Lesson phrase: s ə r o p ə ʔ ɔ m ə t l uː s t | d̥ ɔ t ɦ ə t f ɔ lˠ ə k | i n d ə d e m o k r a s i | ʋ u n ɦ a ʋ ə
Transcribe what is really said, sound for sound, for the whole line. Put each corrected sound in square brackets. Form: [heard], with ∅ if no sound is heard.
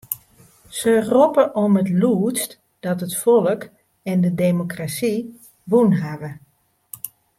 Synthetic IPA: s ə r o p ə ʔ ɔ m ə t l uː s t | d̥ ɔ t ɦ ə t f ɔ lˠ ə k | [ɛ] n d ə d e m o k r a s i | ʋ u n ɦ a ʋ ə